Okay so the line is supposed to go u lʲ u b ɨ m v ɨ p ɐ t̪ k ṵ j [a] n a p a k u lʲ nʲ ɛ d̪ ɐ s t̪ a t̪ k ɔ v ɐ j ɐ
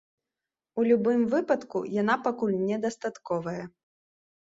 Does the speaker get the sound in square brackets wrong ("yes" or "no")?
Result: no